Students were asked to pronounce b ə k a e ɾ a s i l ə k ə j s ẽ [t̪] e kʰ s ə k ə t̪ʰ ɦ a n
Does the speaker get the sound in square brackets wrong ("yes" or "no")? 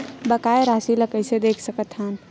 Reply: yes